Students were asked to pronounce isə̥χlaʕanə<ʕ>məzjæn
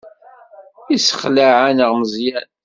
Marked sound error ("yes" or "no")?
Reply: yes